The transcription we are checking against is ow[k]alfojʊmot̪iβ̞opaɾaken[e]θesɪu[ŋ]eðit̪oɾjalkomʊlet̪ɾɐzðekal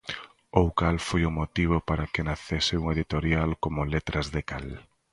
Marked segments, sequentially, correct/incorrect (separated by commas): correct, incorrect, correct